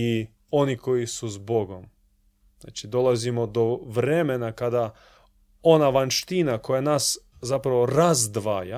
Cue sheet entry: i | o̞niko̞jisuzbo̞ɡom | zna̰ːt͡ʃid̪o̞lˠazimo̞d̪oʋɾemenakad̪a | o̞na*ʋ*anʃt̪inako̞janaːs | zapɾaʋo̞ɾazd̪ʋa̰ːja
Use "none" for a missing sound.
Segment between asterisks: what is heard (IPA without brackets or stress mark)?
ʋ